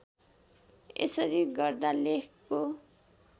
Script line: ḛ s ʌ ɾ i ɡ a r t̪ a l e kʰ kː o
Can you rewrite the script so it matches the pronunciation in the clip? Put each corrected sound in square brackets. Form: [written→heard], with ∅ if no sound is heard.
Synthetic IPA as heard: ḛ s ʌ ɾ i ɡ [a→ʌ] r [t̪→d̪] a l e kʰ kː o